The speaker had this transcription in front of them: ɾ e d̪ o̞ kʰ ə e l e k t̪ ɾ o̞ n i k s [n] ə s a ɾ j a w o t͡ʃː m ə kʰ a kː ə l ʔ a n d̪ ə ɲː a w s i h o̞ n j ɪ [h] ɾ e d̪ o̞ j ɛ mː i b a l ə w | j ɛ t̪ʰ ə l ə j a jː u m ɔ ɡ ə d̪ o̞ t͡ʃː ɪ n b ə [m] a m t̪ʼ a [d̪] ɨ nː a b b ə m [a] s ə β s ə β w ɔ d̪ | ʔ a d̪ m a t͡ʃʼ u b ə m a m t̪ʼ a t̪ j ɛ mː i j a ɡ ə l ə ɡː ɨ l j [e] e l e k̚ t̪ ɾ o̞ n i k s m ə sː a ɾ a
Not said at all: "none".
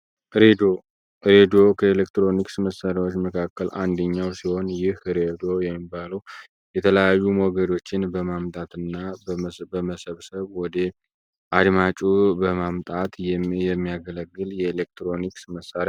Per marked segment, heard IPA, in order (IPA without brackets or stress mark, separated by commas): m, h, m, t̪, ə, ɛ